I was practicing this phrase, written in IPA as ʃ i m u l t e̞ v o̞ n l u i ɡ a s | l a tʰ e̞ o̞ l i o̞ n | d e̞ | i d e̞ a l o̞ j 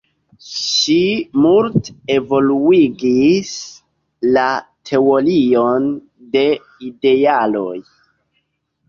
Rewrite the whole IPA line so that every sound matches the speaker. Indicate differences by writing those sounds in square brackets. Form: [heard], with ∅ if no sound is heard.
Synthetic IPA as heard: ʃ i m u l t e̞ v o̞ [∅] l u i ɡ [i] s | l a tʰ e̞ o̞ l i o̞ n | d e̞ | i d e̞ a l o̞ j